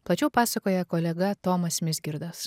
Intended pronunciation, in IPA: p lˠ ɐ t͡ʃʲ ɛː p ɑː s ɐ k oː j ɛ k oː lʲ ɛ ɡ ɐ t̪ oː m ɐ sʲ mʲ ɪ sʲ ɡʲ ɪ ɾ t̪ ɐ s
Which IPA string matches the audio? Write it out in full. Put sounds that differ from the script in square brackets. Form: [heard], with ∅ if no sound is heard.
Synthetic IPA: p lˠ ɐ t͡ʃʲ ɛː p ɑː s ɐ k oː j ɛ k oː lʲ ɛ ɡ ɐ t̪ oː m ɐ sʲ mʲ ɪ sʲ ɡʲ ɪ ɾ [d̪] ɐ s

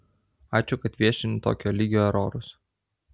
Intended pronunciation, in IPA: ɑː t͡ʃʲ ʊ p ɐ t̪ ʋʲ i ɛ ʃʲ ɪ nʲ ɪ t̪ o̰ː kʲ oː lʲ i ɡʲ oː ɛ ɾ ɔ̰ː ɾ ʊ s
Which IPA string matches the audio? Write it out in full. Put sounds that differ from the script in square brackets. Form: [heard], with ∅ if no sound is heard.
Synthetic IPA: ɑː t͡ʃʲ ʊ [k] ɐ t̪ ʋʲ i ɛ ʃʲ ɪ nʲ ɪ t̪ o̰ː kʲ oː lʲ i ɡʲ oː ɛ ɾ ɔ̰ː ɾ ʊ s

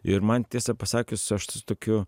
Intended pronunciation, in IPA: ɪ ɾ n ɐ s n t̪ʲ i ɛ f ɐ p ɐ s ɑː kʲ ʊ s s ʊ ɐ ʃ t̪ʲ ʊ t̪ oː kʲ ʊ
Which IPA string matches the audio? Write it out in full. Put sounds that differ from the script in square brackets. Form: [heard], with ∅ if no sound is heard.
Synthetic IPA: ɪ ɾ [m] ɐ [∅] n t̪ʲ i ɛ [s] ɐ p ɐ s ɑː kʲ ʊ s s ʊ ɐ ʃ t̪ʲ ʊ t̪ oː kʲ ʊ

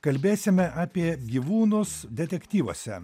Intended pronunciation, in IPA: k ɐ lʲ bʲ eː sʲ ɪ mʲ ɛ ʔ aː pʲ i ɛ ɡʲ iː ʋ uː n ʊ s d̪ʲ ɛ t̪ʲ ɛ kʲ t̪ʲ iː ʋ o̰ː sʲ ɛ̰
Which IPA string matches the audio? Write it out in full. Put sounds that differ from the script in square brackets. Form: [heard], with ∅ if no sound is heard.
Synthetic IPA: k ɐ lʲ bʲ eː sʲ ɪ mʲ ɛ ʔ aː pʲ i ɛ ɡʲ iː ʋ uː n ʊ s d̪ʲ ɛ t̪ʲ ɛ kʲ t̪ʲ iː ʋ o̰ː sʲ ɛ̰

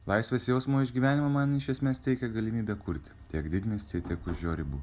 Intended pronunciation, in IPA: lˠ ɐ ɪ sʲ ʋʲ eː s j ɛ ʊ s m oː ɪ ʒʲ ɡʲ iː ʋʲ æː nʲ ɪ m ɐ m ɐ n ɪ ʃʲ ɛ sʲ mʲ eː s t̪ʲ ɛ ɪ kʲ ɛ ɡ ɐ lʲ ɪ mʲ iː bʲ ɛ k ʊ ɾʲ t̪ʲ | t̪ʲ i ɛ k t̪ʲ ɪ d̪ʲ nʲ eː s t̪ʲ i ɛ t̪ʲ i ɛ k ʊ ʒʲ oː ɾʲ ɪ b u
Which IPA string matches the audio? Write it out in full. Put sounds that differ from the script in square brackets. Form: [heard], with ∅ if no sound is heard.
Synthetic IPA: lˠ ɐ ɪ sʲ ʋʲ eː s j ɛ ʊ s m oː ɪ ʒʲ ɡʲ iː ʋʲ æː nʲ ɪ m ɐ m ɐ n ɪ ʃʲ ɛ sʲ mʲ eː s t̪ʲ ɛ ɪ kʲ ɛ ɡ ɐ lʲ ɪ mʲ iː bʲ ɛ k ʊ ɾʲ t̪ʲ | t̪ʲ i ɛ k [d̪ʲ] ɪ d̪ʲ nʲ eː s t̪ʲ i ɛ t̪ʲ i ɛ k ʊ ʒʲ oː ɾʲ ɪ b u

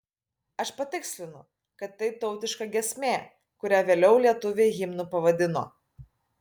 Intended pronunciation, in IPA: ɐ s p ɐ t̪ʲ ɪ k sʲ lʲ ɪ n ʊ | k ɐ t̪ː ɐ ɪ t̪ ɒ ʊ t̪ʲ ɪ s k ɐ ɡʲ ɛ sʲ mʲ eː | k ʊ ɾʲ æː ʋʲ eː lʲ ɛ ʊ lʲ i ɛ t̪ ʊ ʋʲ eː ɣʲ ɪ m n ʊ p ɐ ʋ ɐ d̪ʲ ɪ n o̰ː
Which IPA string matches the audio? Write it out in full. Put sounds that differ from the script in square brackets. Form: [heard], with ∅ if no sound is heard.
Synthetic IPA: ɐ [ʃ] p ɐ t̪ʲ ɪ k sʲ lʲ ɪ n ʊ | k ɐ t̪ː ɐ ɪ t̪ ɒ ʊ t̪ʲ ɪ [ʃ] k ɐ ɡʲ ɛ sʲ mʲ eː | k ʊ ɾʲ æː ʋʲ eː lʲ ɛ ʊ lʲ i ɛ t̪ ʊ ʋʲ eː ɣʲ ɪ m n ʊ p ɐ ʋ ɐ d̪ʲ ɪ n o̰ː

